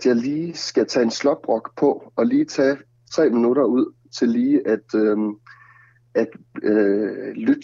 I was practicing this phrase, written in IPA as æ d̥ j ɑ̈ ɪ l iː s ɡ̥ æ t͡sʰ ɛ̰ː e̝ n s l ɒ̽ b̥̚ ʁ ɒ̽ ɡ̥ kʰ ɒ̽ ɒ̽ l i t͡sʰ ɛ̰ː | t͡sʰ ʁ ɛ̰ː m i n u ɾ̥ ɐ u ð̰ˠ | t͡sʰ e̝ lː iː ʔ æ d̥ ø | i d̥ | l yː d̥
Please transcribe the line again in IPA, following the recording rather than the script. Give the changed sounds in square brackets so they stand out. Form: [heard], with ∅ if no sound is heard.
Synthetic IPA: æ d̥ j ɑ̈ ɪ l iː s ɡ̥ æ t͡sʰ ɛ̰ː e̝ n s l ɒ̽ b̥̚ ʁ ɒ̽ ɡ̥ [pʰ] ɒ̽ ɒ̽ l [iː] t͡sʰ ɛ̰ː | t͡sʰ ʁ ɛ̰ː m i n u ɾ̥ ɐ u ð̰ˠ | t͡sʰ e̝ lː iː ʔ æ d̥ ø | [æ] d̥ | l [y] d̥